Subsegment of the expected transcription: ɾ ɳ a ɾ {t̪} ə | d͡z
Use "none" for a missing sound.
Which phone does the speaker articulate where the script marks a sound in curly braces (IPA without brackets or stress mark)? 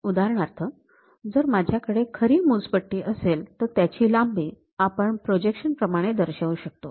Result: t̪ʰ